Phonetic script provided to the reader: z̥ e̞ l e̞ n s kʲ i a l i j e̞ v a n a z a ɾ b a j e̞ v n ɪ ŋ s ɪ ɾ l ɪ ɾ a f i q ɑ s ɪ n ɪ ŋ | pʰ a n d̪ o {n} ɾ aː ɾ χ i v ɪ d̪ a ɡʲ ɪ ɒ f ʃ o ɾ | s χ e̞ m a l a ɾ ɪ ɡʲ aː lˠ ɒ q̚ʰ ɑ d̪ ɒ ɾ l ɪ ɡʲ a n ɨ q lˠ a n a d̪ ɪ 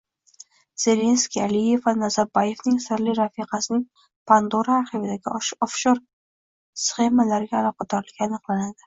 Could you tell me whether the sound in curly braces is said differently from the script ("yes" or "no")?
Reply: yes